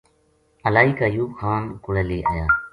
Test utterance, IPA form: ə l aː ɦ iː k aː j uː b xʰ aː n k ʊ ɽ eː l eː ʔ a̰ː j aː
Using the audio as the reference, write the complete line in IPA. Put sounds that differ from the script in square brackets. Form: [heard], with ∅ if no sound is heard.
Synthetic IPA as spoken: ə l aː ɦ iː k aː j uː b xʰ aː n k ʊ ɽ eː l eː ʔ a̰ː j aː

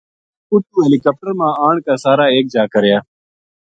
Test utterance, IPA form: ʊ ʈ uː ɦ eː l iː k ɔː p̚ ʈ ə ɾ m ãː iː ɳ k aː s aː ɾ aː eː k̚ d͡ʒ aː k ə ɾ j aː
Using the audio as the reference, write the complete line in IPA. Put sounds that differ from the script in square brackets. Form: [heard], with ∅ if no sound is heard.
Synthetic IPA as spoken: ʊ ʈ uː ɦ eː l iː k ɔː p̚ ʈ ə ɾ m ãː [aː] ɳ k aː s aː ɾ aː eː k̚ d͡ʒ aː k ə ɾ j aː

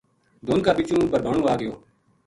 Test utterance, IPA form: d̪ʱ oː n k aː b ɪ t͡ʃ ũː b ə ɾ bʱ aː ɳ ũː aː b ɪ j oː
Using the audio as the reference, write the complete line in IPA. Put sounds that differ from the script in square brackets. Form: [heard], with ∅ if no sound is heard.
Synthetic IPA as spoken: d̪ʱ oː n k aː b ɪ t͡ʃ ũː b ə ɾ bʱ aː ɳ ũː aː [ɡ] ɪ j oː

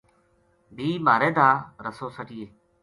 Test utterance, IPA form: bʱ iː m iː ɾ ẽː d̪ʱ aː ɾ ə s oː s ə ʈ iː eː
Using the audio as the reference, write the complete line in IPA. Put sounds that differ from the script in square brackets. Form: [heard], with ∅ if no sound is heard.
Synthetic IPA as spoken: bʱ iː m [aː] ɾ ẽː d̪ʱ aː ɾ ə s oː s ə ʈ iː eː

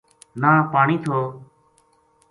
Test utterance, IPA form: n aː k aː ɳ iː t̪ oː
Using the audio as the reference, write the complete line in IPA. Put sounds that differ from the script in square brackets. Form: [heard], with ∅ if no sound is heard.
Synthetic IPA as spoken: n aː [p] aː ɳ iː [t̪ʰ] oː

